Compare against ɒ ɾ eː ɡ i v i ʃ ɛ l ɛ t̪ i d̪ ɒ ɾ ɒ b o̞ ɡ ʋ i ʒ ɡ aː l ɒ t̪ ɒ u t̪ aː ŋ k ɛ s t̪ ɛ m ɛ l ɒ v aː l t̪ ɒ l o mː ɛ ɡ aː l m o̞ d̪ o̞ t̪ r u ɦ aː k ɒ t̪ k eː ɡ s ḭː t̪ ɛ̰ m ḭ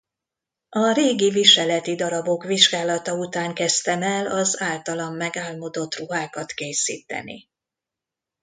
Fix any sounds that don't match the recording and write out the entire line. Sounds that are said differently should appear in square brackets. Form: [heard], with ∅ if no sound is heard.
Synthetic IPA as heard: ɒ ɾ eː ɡ i v i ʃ ɛ l ɛ t̪ i d̪ ɒ ɾ ɒ b o̞ [k] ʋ i ʒ ɡ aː l ɒ t̪ ɒ u t̪ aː ŋ k ɛ s t̪ ɛ m ɛ l ɒ [z] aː l t̪ ɒ l [ɒ] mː ɛ ɡ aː l m o̞ d̪ o̞ t̪ r u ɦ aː k ɒ t̪ k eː [∅] s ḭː t̪ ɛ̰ [n] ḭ